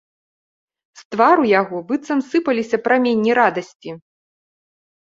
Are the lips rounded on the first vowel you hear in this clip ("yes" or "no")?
no